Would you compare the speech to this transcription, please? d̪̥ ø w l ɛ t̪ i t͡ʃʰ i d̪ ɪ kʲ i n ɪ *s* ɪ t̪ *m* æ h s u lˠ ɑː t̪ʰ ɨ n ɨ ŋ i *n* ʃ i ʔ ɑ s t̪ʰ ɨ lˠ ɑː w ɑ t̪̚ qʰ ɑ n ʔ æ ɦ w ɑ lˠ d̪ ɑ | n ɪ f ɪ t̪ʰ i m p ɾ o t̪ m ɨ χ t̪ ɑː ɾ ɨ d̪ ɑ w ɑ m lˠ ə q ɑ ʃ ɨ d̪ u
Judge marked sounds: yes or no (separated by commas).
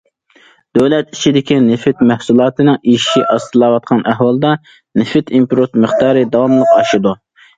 no, yes, no